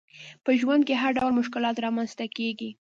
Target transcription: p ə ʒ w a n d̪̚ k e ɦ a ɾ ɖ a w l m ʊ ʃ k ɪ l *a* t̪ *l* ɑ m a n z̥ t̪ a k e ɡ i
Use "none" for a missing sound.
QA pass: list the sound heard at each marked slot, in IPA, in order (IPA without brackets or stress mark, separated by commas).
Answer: ɑ, ɾ